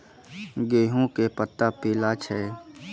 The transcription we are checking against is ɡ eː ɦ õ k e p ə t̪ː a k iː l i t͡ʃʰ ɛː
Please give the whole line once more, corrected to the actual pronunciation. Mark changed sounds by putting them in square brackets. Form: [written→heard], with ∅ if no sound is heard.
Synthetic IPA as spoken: ɡ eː ɦ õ k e p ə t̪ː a [k→p] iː l [i→a] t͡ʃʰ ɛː